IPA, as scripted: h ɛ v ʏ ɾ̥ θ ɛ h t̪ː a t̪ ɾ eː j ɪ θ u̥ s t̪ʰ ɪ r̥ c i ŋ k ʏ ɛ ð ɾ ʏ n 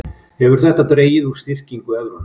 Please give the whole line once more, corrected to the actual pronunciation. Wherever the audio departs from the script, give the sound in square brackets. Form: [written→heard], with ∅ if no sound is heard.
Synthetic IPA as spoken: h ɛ v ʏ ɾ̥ θ ɛ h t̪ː a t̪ ɾ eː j ɪ [θ→ð] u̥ s [t̪ʰ→t̪] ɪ r̥ c i ŋ k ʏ ɛ ð ɾ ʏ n